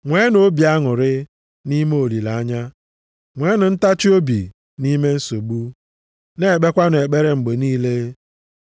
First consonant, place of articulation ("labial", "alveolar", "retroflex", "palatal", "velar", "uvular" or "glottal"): velar